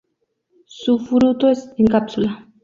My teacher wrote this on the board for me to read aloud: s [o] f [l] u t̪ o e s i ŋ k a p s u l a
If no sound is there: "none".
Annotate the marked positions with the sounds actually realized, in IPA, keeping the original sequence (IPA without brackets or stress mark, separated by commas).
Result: u, ɾ